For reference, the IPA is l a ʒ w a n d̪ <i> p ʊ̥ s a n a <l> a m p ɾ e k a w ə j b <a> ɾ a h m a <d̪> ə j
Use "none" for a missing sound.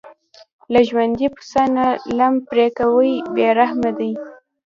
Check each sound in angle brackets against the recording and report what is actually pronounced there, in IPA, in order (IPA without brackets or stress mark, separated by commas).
i, l, e, d̪